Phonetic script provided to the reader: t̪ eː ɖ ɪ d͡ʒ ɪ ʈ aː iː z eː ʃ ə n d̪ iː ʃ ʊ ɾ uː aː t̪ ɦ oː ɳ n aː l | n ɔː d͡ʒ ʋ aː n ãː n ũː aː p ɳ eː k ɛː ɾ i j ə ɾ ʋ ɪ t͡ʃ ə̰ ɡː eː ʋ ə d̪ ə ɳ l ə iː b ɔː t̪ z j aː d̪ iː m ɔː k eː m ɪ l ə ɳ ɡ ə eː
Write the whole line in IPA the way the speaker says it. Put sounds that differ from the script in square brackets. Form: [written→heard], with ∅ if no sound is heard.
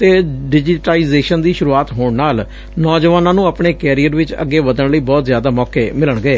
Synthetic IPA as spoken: t̪ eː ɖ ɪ d͡ʒ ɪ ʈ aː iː z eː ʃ ə n d̪ iː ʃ ʊ ɾ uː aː t̪ ɦ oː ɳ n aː l | n ɔː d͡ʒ ʋ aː n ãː n ũː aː p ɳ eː k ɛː ɾ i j ə ɾ ʋ ɪ t͡ʃ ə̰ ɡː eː ʋ ə d̪ ə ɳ l ə iː b ɔː t̪ z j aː d̪ [iː→aː] m ɔː k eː m ɪ l ə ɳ ɡ ə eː